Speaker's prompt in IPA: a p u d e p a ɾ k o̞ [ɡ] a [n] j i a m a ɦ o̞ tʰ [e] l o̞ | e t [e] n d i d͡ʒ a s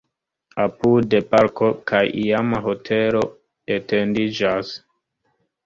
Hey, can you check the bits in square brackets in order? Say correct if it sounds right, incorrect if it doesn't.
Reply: incorrect: k, incorrect: none, correct, correct

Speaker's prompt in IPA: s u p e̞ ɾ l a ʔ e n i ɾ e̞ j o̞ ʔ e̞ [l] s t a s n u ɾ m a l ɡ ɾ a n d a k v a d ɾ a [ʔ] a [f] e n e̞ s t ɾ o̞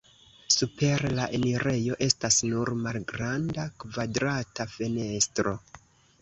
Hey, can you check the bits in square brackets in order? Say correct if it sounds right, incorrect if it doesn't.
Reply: incorrect: none, incorrect: t, correct

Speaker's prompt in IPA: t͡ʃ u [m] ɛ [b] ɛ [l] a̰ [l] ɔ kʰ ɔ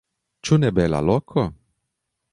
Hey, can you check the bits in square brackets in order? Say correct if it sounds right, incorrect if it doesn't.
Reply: incorrect: n, correct, correct, correct

